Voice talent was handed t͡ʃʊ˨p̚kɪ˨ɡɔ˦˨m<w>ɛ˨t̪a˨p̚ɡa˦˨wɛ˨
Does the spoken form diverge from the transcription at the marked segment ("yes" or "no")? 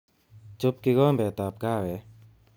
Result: yes